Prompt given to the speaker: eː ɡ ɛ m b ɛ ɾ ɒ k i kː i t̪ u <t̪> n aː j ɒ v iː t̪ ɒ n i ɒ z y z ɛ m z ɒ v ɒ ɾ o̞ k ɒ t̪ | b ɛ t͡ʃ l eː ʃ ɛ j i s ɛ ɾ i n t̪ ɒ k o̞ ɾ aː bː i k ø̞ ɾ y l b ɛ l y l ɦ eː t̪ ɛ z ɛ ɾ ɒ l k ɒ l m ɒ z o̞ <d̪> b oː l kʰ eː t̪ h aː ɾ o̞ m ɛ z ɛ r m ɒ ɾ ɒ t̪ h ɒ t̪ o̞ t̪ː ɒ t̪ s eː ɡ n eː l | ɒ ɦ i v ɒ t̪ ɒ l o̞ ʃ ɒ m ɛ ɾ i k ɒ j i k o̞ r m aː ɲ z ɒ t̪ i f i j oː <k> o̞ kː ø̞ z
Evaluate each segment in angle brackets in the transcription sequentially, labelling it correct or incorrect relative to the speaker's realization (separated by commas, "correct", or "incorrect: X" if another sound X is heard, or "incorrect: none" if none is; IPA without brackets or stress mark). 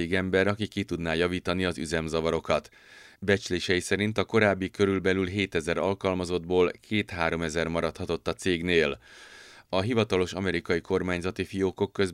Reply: incorrect: d̪, correct, correct